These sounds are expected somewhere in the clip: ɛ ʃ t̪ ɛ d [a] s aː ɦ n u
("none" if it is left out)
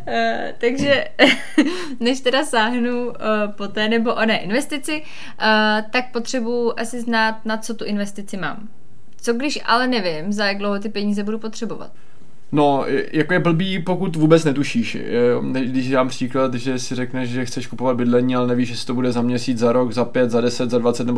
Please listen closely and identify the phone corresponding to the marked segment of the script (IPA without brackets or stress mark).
a